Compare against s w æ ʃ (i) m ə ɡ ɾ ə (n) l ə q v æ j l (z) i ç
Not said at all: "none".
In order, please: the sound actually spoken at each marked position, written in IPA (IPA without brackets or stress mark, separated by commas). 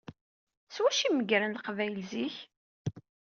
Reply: i, n, z